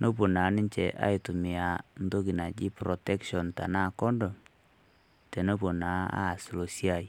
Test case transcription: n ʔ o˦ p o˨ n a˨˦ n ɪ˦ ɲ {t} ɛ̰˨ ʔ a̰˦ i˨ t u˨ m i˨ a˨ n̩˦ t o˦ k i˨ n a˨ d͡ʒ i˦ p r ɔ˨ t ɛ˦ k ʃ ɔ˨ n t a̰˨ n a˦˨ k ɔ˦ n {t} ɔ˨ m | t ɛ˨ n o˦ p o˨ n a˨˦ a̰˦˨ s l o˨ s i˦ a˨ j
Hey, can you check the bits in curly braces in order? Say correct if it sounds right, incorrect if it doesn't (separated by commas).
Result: incorrect, incorrect